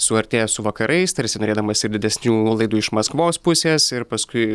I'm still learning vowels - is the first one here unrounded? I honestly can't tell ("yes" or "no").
no